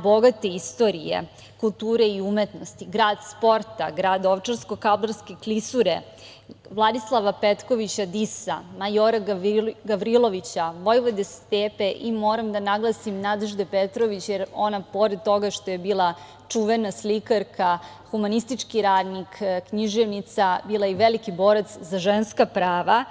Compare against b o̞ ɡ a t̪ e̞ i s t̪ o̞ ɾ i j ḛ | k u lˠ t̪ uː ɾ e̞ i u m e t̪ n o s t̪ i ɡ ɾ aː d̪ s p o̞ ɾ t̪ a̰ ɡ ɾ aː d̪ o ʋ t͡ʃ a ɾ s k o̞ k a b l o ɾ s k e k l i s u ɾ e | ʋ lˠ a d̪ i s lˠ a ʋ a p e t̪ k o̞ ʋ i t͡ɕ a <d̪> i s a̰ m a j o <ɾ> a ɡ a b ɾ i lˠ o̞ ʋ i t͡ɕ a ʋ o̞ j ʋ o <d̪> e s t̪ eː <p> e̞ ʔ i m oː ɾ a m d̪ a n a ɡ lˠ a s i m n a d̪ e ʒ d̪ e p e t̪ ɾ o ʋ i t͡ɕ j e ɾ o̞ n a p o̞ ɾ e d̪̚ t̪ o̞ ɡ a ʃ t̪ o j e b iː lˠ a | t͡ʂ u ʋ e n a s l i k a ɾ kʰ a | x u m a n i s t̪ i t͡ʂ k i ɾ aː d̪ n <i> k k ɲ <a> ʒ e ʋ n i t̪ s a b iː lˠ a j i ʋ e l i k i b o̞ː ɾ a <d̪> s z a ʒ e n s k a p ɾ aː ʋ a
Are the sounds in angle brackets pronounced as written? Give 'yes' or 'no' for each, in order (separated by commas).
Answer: yes, yes, yes, yes, yes, no, no